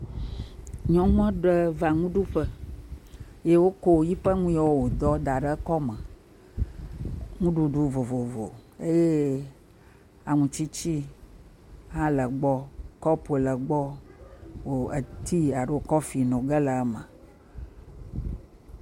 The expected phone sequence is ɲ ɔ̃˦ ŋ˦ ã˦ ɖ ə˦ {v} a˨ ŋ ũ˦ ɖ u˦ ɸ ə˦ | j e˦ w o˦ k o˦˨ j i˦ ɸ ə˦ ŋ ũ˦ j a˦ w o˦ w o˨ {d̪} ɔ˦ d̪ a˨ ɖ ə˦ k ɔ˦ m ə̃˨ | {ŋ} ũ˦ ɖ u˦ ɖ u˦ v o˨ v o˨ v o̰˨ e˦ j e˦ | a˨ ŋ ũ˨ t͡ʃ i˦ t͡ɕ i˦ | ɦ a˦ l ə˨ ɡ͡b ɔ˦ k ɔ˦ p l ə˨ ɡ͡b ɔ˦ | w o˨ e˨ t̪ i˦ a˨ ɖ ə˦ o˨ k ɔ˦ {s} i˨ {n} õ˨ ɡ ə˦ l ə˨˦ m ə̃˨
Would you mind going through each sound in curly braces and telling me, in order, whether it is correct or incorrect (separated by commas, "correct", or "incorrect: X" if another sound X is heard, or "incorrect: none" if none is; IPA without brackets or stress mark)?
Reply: correct, correct, correct, incorrect: f, correct